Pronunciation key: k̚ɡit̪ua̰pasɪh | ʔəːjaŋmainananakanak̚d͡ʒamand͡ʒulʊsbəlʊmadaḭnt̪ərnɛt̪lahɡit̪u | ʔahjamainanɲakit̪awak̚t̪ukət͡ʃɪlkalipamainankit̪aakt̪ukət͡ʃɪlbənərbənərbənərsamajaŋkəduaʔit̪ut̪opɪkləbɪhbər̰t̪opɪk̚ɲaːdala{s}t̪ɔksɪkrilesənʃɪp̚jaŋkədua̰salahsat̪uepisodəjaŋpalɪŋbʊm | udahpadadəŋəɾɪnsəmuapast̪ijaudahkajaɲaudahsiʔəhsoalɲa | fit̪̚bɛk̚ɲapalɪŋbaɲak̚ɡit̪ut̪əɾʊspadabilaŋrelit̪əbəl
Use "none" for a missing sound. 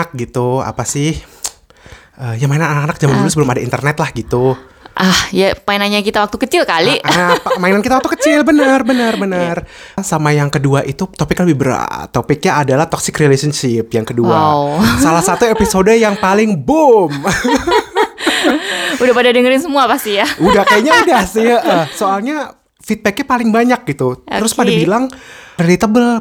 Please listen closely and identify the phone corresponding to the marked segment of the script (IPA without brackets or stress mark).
h